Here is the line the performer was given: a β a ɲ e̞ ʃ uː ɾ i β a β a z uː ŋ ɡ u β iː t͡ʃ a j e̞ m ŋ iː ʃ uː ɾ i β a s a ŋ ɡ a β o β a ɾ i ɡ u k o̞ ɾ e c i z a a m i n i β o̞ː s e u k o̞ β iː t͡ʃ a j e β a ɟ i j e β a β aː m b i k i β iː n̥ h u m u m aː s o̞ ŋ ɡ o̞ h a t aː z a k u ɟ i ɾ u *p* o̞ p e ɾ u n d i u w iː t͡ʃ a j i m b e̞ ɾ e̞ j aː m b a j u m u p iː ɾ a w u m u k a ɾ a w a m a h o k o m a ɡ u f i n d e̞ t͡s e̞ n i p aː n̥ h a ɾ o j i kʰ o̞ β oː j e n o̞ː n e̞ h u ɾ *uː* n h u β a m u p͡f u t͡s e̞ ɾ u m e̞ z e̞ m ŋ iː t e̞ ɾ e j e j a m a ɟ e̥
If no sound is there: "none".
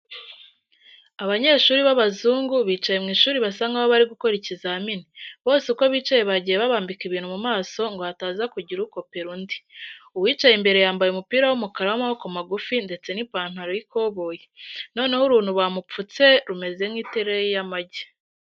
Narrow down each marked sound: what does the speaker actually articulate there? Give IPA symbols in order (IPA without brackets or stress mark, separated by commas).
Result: k, uː